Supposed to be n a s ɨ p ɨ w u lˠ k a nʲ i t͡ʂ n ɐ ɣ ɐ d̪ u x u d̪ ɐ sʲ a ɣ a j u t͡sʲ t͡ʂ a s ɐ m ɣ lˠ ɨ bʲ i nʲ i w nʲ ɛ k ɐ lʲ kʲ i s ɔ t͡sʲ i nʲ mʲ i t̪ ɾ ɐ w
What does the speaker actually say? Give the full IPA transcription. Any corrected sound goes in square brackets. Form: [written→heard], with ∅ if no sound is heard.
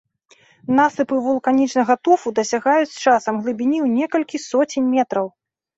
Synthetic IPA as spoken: n a s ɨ p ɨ [w→v] u lˠ k a nʲ i t͡ʂ n ɐ ɣ ɐ [d̪→t̪] u [x→f] u d̪ ɐ sʲ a ɣ a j u t͡sʲ t͡ʂ a s ɐ m ɣ lˠ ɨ bʲ i nʲ i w nʲ ɛ k ɐ lʲ kʲ i s ɔ t͡sʲ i nʲ mʲ [i→ɛ] t̪ ɾ ɐ w